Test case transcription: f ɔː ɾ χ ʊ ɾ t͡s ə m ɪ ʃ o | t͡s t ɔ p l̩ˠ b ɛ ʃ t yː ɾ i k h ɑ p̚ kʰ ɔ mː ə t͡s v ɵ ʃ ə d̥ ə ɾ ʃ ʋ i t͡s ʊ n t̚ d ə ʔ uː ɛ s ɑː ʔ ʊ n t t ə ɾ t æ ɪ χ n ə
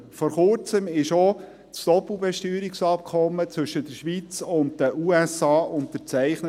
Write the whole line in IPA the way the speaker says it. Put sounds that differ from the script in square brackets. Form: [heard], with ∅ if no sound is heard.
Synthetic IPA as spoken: f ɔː ɾ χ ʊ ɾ t͡s ə m ɪ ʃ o | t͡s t ɔ p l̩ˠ b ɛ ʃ t yː ɾ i k [s] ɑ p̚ kʰ ɔ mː ə t͡s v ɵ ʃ ə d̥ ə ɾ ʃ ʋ i t͡s ʊ n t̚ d ə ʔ uː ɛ s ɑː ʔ ʊ n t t ə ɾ [t͡s] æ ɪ χ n ə